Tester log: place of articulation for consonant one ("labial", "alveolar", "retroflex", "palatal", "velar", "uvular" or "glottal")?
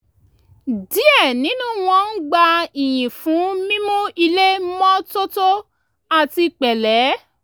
alveolar